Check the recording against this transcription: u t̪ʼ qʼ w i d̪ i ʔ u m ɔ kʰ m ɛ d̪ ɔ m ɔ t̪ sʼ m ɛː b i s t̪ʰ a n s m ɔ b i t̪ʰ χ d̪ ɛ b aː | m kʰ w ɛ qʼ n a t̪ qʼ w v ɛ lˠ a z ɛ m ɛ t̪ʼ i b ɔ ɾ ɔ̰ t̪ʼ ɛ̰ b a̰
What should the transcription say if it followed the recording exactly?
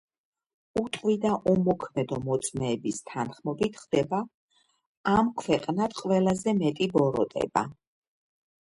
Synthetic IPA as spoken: u t̪ʼ qʼ w i d̪ a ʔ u m ɔ kʰ m ɛ d̪ ɔ m ɔ t̪ sʼ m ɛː b i s t̪ʰ a n χ m ɔ b i t̪ʰ χ d̪ ɛ b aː | m kʰ w ɛ qʼ n a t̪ qʼ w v ɛ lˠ a z ɛ m ɛ t̪ʼ i b ɔ ɾ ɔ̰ t̪ʼ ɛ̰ b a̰